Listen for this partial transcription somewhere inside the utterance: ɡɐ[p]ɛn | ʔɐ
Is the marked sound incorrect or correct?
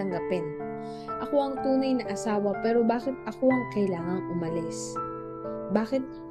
correct